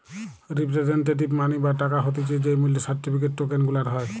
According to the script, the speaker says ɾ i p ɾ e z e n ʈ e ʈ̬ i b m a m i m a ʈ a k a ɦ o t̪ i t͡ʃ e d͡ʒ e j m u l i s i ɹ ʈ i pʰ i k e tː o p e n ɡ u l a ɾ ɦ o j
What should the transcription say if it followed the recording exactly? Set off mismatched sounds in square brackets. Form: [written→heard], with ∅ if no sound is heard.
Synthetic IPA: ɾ i p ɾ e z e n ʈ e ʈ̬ i b m a [m→n] i [m→b] a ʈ a k a ɦ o t̪ i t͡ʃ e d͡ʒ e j m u l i s [i→a] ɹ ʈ i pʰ i k e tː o [p→k] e n ɡ u l a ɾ ɦ [o→ɔ] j